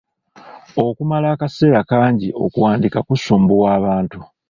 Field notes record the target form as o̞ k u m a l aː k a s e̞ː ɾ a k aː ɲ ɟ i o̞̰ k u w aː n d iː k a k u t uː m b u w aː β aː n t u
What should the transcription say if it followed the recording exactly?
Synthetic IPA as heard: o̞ k u m a l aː k a s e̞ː ɾ a k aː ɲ ɟ i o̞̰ k u w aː n d i k a k u s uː m b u w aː β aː n t u